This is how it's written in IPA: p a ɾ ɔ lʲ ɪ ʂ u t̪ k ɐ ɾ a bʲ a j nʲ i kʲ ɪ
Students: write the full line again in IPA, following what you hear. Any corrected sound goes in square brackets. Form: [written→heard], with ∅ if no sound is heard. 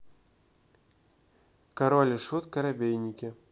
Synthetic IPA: [p→k] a ɾ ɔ lʲ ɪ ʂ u t̪ k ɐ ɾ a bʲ [a→e] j nʲ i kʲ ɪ

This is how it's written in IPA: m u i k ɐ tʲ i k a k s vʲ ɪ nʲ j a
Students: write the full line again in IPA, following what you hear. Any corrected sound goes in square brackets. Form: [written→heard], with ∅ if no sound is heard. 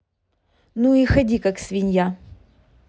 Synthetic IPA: [m→n] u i [k→x] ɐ [tʲ→dʲ] i k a k s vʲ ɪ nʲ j a

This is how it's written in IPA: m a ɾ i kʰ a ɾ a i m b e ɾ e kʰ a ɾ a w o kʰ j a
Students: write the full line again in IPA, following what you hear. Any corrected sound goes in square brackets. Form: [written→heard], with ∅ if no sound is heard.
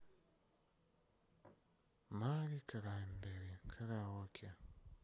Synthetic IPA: m a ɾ i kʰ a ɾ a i m b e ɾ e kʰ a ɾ a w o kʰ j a

